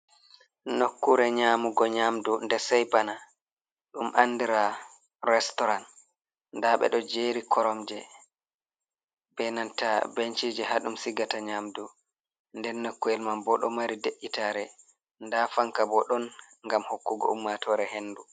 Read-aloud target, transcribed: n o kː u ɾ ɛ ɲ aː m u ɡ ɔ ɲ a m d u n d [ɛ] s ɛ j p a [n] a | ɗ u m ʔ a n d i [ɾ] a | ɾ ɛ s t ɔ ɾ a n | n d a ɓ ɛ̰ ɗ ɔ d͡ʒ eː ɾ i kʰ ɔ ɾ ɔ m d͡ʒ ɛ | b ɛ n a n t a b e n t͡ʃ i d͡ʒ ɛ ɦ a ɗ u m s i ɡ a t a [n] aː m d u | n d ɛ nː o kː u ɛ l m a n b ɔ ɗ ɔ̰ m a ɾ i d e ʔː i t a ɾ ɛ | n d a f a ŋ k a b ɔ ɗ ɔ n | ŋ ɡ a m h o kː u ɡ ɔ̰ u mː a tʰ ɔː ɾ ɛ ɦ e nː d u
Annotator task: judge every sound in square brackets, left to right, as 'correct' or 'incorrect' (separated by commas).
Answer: correct, correct, correct, incorrect